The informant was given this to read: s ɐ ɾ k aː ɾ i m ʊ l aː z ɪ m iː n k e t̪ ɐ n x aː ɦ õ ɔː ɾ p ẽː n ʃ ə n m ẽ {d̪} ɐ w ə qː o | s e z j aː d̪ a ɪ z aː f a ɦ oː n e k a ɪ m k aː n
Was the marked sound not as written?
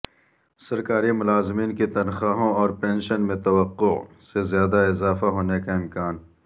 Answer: yes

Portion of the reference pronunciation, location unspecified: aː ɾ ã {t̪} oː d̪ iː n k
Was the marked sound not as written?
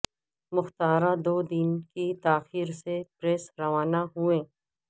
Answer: yes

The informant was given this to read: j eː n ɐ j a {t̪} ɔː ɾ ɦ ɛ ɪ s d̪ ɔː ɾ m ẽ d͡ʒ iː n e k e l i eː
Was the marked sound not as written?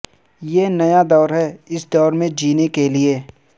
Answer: yes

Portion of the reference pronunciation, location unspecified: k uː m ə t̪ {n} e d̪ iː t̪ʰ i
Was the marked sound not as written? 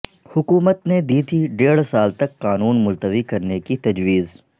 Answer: no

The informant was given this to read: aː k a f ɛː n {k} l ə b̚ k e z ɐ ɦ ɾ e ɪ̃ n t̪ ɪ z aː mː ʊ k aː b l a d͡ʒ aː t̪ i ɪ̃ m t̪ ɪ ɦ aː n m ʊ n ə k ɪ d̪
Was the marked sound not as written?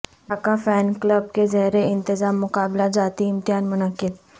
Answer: no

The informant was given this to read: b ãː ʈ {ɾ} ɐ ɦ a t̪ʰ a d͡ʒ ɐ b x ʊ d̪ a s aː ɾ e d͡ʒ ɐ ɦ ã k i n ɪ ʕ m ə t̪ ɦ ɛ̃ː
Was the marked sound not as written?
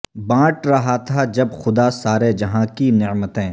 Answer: no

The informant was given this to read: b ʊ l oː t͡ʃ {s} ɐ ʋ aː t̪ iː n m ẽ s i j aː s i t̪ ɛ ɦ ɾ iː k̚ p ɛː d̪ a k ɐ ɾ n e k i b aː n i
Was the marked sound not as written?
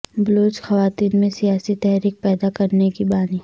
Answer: yes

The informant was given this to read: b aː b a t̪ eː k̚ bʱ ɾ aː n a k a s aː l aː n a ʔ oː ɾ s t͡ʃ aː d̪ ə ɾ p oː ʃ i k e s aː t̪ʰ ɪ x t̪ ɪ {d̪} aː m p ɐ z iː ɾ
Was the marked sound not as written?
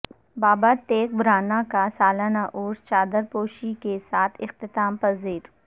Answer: yes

